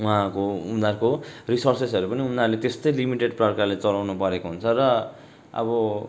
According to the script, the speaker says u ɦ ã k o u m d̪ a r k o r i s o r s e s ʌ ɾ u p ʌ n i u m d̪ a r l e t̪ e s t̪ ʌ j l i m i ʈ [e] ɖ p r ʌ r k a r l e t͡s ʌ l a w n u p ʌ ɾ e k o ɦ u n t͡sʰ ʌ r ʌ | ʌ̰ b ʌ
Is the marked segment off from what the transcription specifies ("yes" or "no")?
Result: no